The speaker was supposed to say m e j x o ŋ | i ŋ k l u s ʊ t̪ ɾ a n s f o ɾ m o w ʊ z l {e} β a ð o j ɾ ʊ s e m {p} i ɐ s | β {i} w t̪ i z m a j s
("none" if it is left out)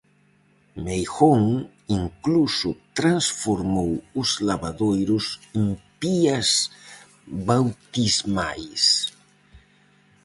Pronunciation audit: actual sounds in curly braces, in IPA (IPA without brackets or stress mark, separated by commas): a, p, a